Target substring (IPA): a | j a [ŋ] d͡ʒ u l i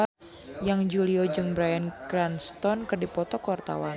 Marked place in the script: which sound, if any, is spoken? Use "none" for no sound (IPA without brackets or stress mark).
ŋ